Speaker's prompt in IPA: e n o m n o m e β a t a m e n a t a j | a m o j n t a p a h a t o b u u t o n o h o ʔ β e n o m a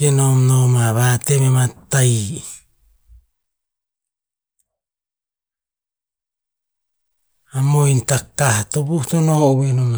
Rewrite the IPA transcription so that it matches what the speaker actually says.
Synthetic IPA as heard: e n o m n o m a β a t e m e m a t a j | a m o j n t a k a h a t o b u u t o n o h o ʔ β e n o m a

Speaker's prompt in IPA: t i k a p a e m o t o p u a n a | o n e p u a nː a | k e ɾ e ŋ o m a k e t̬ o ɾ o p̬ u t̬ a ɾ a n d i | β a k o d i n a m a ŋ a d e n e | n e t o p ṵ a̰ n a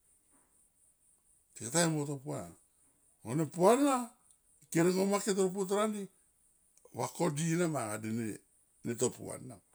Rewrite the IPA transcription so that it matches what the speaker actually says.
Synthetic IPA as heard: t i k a t a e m o t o p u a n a | o n e p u a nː a | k e ɾ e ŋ o m a k e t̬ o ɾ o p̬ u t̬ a ɾ a n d i | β a k o d i n a m a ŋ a d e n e | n e t o p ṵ a̰ n a

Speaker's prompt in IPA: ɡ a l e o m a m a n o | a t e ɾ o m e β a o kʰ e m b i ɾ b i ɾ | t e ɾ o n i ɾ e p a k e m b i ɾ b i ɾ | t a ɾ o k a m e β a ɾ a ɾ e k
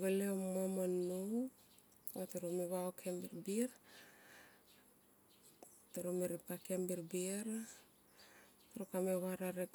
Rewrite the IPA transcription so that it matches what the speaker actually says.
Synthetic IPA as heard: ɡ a l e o m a m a n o | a t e ɾ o m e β a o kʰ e m b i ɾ b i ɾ | t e ɾ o m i ɾ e p a k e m b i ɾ b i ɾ | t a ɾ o k a m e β a ɾ a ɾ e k

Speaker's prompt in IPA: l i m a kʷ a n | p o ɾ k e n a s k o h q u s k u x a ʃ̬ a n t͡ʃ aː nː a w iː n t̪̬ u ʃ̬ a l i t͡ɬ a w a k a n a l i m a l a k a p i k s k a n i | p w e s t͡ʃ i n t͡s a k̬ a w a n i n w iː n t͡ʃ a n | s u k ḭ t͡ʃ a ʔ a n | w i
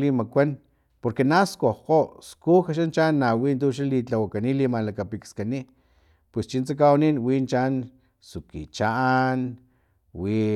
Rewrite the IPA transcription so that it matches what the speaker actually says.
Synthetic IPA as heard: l i m a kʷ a n | p o ɾ k e n a s k o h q o s k u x a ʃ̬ a n t͡ʃ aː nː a w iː n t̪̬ u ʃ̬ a l i t͡ɬ a w a k a n i l i m a l a k a p i k s k a n i | p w e s t͡ʃ i n t͡s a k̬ a w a n i n w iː n t͡ʃ a n | s u k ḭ t͡ʃ a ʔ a n | w i

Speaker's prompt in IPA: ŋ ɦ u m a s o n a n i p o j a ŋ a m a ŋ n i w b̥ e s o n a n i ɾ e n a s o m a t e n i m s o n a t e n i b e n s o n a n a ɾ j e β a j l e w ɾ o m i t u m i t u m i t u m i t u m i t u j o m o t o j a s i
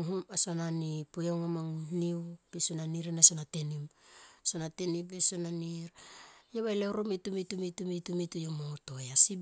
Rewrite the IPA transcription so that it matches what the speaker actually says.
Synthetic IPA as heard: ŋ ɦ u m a s o n a n i p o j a ŋ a m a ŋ n i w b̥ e s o n a n i ɾ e n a s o n a t e n i m s o n a t e n i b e s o n a n i ɾ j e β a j l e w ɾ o m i t u m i t u m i t u m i t u m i t u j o m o t o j a s i

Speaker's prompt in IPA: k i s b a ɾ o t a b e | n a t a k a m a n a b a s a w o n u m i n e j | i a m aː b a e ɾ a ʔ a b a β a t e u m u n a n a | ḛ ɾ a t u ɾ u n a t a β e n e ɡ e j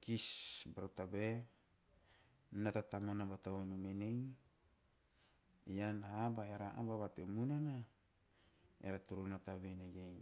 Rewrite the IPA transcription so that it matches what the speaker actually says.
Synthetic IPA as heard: k i s b a ɾ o t a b e | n a t a t a m a n a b a t a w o n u m e n e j | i a n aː b a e ɾ a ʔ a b a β a t e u m u n a n a | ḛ ɾ a t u ɾ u n a t a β e n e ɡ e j

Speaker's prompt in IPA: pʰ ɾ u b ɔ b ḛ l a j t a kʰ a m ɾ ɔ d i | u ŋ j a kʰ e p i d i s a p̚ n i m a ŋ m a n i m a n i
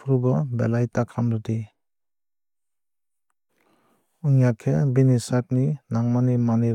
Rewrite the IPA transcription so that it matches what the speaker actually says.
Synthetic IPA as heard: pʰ ɾ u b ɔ b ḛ l a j t a kʰ a m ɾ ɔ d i | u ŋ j a kʰ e b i n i s a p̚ n i n a ŋ m a n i m a n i

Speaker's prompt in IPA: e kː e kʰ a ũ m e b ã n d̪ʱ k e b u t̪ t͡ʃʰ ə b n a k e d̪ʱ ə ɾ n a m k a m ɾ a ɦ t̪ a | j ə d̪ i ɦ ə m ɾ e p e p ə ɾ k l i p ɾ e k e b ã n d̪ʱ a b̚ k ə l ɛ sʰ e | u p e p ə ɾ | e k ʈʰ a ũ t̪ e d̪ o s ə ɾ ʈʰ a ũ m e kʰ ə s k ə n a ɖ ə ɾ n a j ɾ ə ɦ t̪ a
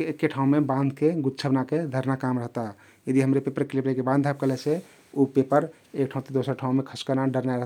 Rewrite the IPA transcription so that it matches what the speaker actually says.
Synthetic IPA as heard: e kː e ʈʰ a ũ m e b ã n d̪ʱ k e ɡ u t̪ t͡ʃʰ ə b n a k e d̪ʱ ə ɾ n a k a m ɾ ə ɦ t̪ a | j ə d̪ i ɦ ə m ɾ e p e p ə ɾ k l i p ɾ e k e b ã n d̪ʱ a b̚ k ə l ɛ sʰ e | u p e p ə ɾ | e k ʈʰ a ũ t̪ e d̪ o s ə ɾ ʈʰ a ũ m e kʰ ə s k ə n a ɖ ə ɾ n a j ɾ ə ɦ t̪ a

